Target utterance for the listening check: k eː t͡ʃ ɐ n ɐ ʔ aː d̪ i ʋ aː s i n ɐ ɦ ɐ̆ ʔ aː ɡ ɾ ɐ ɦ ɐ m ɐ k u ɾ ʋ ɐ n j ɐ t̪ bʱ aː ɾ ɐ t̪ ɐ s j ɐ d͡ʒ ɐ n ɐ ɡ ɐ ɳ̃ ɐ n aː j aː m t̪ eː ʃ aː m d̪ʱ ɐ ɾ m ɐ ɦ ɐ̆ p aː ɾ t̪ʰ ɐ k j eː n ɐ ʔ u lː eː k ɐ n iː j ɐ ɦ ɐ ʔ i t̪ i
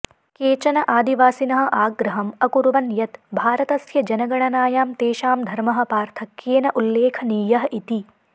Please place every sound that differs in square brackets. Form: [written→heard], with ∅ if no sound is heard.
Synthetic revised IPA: k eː t͡ʃ ɐ n ɐ ʔ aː d̪ i ʋ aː s i n ɐ ɦ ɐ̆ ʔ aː ɡ ɾ ɐ ɦ ɐ m ɐ k u ɾ ʋ ɐ n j ɐ t̪ bʱ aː ɾ ɐ t̪ ɐ s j ɐ d͡ʒ ɐ n ɐ ɡ ɐ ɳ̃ ɐ n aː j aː m t̪ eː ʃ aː m d̪ʱ ɐ ɾ m ɐ ɦ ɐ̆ p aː ɾ t̪ʰ ɐ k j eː n ɐ ʔ u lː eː [k→kʰ] ɐ n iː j ɐ ɦ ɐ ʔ i t̪ i